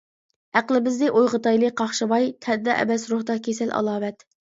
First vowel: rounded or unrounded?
unrounded